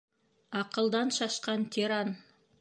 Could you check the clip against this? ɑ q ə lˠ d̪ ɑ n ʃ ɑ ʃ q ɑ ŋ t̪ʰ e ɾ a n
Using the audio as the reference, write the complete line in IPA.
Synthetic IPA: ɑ q ə lˠ d̪ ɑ n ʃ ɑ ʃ q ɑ n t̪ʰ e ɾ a n